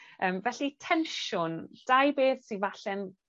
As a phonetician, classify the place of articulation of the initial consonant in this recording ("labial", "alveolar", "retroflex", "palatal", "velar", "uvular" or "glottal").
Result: labial